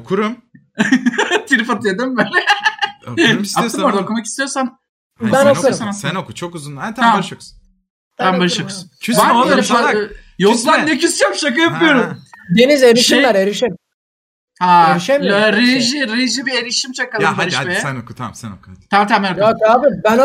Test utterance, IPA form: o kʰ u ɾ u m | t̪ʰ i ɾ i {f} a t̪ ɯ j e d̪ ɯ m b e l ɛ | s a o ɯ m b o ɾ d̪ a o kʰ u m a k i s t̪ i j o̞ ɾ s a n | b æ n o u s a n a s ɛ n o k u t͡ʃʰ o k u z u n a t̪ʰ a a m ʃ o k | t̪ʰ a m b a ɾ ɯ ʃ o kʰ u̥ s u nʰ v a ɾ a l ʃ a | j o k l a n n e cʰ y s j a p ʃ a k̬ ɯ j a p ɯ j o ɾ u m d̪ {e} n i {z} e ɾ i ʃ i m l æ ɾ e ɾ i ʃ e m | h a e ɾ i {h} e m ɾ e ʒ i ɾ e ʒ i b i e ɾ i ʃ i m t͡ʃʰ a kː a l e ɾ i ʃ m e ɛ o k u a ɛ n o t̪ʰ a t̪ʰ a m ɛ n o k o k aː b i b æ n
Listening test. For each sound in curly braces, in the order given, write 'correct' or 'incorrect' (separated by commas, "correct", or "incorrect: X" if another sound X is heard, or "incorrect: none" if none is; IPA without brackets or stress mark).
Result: correct, correct, correct, incorrect: ʃ